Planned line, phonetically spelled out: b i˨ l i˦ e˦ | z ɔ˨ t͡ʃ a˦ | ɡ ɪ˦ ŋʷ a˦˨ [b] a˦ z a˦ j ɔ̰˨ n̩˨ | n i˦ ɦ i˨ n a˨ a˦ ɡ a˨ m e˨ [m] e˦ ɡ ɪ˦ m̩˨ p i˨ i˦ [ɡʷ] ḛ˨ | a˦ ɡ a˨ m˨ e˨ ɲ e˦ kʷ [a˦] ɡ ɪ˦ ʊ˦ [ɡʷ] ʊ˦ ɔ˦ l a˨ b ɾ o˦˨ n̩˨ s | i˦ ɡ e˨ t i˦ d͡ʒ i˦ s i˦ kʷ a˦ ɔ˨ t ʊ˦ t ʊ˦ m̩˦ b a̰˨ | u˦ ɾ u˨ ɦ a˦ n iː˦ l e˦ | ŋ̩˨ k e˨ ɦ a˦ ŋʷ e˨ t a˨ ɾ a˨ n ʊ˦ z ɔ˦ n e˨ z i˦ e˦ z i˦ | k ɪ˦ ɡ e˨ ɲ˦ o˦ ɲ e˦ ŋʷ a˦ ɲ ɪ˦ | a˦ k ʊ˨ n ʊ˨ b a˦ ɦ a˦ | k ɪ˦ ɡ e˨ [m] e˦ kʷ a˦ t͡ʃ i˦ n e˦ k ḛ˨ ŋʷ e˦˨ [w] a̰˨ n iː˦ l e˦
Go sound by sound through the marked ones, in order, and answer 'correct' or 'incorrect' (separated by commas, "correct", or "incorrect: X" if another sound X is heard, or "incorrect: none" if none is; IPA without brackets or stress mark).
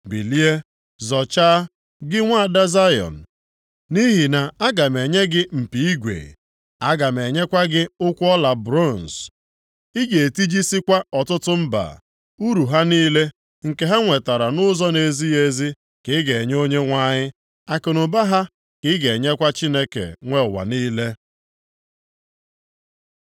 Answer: incorrect: d, incorrect: ɲ, correct, correct, incorrect: kʷ, incorrect: ɲ, correct